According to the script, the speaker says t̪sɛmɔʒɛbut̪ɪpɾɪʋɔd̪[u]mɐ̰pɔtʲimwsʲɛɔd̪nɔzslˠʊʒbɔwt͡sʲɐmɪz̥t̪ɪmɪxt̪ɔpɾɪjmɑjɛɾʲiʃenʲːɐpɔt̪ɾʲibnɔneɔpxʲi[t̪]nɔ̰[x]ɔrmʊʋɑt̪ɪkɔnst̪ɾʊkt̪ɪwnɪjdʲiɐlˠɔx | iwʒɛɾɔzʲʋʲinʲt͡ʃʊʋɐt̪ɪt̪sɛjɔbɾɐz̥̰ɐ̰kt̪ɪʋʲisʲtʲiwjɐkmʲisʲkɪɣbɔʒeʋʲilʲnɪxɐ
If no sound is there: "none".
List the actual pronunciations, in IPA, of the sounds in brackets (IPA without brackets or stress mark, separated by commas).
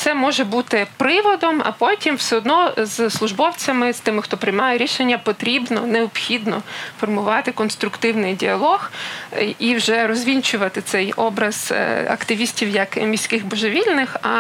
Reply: ɔ, d̪, f